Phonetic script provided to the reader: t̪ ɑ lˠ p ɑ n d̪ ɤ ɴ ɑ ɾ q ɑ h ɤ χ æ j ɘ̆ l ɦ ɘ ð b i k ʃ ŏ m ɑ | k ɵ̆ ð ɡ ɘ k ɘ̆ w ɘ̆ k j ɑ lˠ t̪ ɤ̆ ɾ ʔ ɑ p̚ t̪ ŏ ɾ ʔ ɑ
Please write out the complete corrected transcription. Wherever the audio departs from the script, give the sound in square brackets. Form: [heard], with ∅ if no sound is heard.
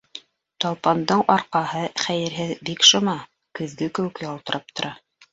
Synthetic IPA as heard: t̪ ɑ lˠ p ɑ n d̪ ɤ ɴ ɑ ɾ q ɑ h ɤ χ æ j ɘ̆ [ɾ] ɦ ɘ ð b i k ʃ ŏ m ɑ | k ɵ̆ ð ɡ ɘ k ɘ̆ w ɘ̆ k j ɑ lˠ t̪ ɤ̆ ɾ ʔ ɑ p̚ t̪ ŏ ɾ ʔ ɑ